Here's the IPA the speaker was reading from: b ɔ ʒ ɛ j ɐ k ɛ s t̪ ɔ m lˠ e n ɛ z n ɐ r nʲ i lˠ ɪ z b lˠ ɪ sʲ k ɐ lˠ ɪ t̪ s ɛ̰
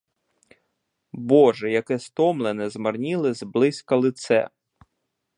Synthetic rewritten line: b ɔ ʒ ɛ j ɐ k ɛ s t̪ ɔ m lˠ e n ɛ z m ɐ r nʲ i lˠ ɪ z b lˠ ɪ sʲ k ɐ lˠ ɪ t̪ s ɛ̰